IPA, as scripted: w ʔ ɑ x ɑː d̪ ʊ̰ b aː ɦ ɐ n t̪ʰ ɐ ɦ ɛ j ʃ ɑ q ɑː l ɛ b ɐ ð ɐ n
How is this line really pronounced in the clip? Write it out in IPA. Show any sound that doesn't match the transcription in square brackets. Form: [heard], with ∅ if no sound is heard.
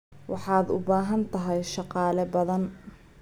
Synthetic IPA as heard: w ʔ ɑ [ħ] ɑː d̪ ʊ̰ b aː ɦ ɐ n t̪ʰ ɐ ɦ ɛ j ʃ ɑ q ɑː l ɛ b ɐ ð ɐ n